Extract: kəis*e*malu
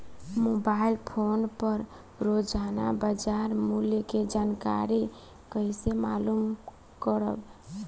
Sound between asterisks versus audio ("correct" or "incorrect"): correct